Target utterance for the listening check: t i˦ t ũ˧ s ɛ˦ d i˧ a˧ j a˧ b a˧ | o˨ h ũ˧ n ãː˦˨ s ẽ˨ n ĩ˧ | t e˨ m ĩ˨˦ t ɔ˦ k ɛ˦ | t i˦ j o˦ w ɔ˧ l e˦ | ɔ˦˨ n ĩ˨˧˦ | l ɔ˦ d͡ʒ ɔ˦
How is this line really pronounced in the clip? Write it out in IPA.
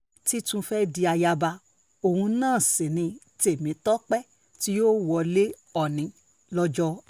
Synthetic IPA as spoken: t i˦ t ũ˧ f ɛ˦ d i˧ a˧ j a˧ b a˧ | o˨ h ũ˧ n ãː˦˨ s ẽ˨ n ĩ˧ | t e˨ m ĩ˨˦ t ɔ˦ k͡p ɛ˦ | t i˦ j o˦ w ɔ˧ l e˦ | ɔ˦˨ n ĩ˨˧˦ | l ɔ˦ d͡ʒ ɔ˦